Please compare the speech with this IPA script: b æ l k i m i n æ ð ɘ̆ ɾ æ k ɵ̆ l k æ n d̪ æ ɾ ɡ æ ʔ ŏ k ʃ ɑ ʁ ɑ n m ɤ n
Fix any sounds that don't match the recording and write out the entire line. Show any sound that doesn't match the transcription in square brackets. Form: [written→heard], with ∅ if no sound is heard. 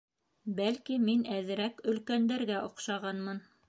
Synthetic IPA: b æ l k i m i n æ ð ɘ̆ ɾ æ k ɵ̆ l k æ n d̪ æ ɾ ɡ æ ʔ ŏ [k→q] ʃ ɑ ʁ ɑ n m ɤ n